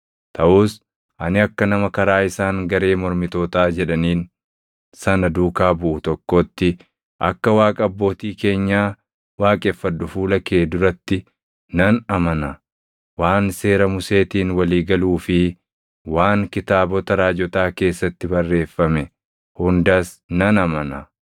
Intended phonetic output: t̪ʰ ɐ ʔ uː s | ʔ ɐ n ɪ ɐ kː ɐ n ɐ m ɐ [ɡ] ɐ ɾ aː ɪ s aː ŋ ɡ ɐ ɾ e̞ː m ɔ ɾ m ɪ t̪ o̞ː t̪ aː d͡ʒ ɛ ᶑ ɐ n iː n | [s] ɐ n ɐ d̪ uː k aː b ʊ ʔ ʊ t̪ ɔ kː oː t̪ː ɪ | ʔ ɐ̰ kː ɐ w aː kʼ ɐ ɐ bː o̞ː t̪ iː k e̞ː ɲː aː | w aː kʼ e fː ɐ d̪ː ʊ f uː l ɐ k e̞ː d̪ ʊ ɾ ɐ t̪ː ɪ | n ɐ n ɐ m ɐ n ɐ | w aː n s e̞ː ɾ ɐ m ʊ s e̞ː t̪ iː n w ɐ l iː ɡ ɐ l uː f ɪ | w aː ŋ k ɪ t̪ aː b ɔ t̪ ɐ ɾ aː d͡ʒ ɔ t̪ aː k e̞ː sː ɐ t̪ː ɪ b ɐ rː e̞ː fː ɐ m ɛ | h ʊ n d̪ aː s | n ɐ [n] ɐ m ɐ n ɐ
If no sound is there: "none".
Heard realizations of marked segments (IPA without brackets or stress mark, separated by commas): k, s, n